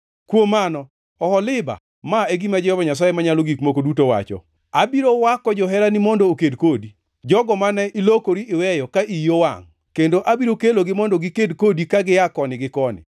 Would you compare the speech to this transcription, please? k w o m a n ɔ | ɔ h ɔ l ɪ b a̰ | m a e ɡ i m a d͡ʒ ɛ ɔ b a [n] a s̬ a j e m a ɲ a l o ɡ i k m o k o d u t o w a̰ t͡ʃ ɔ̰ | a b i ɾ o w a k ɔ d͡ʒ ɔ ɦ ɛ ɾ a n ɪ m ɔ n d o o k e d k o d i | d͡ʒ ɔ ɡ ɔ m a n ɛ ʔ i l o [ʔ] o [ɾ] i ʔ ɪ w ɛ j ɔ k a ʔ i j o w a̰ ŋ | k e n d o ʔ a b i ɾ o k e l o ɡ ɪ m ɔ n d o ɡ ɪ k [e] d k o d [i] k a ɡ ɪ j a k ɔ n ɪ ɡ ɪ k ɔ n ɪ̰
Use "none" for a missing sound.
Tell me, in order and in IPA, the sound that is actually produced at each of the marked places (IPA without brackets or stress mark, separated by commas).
ɲ, k, ɾ, e, i